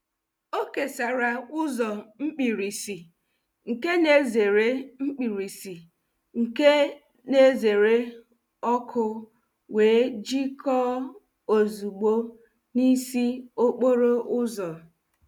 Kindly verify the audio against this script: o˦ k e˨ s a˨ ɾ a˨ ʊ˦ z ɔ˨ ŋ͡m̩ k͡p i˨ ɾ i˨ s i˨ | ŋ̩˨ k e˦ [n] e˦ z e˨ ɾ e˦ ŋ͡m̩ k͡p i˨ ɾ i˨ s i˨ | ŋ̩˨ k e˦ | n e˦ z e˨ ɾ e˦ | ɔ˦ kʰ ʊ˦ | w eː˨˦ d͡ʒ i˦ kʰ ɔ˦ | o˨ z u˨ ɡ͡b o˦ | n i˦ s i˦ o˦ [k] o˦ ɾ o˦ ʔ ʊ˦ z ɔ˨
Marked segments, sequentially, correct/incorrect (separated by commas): correct, incorrect